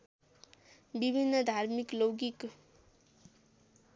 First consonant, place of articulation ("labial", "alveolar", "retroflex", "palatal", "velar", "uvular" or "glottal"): labial